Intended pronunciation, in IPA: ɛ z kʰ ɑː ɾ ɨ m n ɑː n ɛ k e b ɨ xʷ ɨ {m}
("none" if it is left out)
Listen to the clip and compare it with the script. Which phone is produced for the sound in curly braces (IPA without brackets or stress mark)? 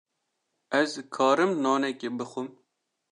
m